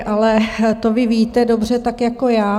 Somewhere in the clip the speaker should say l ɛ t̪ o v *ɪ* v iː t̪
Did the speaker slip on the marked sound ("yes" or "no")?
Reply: no